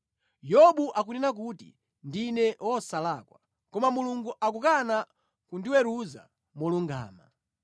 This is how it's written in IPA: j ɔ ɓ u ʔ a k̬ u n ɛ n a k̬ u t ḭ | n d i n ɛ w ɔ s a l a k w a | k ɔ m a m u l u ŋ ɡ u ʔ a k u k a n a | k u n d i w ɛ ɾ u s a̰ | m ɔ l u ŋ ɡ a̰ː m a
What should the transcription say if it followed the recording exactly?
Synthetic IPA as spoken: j ɔ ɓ u ʔ a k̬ u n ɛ n a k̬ u t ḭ | n d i n ɛ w ɔ s a l a k w a | k ɔ m a m u l u ŋ ɡ u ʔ a k u k a n a | k u n d i w ɛ ɾ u z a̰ | m ɔ l u ŋ ɡ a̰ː m a